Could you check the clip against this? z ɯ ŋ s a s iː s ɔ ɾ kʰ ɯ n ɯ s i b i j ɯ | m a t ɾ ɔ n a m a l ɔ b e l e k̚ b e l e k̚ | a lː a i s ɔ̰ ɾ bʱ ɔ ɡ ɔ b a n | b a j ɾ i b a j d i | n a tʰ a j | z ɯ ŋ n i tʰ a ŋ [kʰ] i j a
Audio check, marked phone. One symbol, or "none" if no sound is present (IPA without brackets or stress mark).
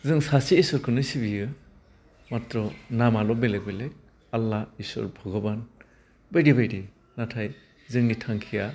kʰ